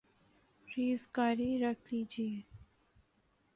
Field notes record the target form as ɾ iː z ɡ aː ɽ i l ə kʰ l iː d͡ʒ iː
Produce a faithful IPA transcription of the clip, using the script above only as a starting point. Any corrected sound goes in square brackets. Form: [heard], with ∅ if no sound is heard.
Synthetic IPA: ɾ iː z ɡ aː [ɾ] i [ɾ] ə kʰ l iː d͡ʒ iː